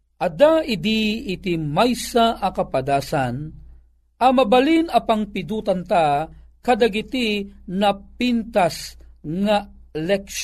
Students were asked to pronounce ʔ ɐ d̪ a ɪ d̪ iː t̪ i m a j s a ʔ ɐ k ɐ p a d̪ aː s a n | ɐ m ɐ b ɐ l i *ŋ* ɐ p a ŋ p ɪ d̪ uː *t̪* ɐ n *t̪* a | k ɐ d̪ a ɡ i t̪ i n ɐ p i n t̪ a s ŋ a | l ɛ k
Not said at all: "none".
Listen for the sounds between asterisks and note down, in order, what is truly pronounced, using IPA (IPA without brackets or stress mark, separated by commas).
n, t̪, t̪